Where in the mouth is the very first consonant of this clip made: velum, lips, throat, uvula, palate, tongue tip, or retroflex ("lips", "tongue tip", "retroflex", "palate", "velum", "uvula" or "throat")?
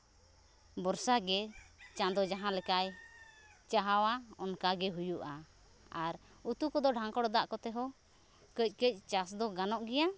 lips